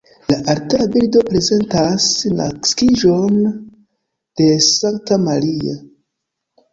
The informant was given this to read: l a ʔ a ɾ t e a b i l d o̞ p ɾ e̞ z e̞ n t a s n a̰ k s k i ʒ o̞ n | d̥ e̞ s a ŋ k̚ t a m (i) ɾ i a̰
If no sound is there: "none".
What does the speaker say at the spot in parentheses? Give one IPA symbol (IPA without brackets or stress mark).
a